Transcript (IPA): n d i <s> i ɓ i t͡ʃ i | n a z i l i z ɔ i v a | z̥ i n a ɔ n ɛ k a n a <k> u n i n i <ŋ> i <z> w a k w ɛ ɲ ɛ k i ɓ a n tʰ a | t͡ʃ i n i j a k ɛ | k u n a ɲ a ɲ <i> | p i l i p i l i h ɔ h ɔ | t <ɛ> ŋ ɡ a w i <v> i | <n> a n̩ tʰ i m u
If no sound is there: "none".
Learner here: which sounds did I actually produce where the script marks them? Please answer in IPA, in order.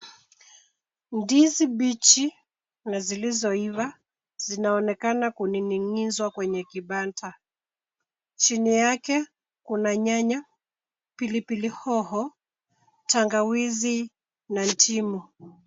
z, k, ŋ, z, a, a, z, n

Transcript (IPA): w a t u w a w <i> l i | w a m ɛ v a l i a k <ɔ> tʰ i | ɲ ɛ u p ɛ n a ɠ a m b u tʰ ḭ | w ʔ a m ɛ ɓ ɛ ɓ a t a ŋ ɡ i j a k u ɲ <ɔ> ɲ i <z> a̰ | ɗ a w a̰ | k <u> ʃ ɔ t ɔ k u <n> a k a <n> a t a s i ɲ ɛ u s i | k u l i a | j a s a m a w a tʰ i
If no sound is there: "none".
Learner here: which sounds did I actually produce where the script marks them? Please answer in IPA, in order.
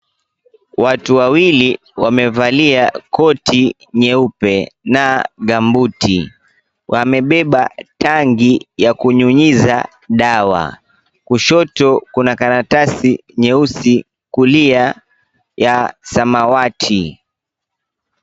i, ɔ, u, z, u, n, n

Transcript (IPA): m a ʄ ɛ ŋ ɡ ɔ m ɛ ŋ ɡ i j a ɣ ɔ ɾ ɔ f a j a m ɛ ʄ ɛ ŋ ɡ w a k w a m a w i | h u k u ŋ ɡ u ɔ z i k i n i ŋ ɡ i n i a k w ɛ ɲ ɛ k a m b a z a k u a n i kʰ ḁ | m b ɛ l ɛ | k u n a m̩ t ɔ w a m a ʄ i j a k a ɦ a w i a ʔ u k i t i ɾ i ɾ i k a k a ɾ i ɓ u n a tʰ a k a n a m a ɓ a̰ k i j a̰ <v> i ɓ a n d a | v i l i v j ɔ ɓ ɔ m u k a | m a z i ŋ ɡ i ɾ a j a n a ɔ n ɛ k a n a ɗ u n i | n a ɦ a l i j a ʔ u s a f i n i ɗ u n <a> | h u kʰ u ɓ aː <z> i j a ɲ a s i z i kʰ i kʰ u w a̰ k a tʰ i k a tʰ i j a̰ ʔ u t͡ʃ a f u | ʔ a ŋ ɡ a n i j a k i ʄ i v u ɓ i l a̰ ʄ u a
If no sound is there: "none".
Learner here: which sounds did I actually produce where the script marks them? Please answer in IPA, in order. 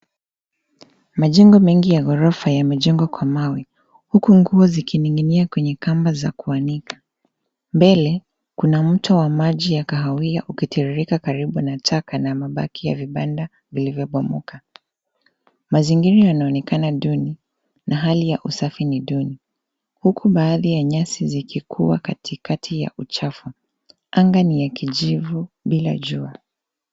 v, i, ð

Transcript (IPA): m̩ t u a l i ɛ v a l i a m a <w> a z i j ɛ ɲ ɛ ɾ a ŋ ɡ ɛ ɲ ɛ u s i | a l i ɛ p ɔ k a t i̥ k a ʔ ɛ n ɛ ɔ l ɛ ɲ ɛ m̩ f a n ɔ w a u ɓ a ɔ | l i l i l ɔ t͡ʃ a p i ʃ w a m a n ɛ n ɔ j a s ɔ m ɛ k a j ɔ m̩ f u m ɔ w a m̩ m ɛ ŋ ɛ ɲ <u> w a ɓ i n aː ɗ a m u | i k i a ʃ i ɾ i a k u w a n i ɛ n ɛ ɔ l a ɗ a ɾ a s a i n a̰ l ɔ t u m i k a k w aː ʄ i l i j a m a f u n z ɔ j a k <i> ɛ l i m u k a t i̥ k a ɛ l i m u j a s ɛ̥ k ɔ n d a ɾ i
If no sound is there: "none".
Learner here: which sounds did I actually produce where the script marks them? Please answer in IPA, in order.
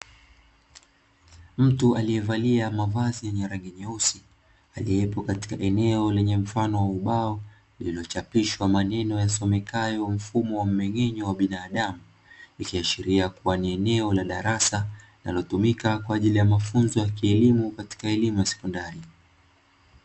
v, ɔ, i

